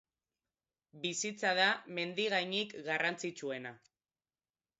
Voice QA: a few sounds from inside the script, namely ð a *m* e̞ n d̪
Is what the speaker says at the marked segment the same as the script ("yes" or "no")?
yes